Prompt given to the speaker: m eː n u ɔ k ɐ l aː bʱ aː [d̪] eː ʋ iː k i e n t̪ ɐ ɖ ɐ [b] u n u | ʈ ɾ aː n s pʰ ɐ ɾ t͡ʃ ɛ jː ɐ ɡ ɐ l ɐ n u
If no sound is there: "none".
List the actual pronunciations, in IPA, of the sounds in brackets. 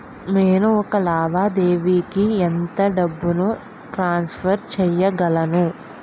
d̪, bː

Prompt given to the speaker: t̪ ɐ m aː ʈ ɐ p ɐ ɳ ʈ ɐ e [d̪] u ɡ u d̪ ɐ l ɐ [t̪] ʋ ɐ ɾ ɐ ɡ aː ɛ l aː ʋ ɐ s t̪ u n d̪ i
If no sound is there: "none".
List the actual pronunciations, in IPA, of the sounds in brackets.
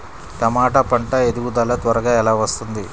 d̪, t̪

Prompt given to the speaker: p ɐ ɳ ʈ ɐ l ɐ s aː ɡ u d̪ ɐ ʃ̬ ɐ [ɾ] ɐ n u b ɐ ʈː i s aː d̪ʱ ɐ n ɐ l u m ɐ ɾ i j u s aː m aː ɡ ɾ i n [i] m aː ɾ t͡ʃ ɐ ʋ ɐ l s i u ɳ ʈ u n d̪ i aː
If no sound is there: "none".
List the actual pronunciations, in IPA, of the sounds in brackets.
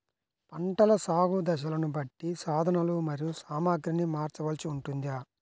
l, i

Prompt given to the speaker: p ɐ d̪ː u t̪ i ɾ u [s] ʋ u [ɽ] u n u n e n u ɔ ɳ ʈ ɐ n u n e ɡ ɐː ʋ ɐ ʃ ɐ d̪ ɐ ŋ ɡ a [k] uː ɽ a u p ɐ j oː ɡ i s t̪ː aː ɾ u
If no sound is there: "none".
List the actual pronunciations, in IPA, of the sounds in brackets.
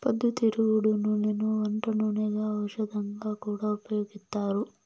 none, ɽ, k

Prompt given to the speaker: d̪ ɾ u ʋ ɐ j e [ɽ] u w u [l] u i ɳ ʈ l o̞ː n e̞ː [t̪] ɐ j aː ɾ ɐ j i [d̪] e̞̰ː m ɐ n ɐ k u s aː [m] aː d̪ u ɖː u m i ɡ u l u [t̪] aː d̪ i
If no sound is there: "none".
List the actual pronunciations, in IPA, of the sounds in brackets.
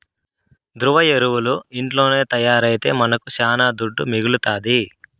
ɾ, l, t̪, t̪, n, t̪

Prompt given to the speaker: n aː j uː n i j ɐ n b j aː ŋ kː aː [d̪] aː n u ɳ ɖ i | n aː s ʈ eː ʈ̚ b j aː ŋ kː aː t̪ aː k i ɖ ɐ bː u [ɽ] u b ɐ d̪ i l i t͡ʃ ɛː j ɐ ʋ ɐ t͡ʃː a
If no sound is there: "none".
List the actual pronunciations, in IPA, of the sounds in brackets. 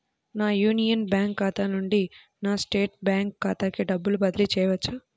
t̪, l

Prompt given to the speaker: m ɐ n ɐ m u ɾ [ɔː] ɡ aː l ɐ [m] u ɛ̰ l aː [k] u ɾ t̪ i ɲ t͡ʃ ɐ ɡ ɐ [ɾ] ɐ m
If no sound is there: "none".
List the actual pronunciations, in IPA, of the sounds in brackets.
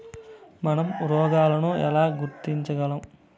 ɔː, n, ɡ, l

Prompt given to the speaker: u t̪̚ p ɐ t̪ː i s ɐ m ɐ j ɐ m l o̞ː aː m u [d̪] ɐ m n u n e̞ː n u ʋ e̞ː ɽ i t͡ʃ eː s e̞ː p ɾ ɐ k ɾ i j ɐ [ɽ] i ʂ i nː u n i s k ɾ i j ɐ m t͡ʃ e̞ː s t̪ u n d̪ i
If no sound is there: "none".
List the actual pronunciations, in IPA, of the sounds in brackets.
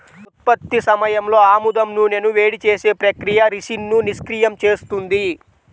d̪, ɾ

